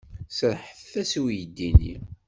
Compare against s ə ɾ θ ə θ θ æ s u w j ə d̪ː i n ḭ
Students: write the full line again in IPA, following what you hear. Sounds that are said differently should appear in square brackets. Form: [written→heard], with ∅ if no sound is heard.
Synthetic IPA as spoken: s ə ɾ [θ→ħ] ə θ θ æ s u w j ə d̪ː i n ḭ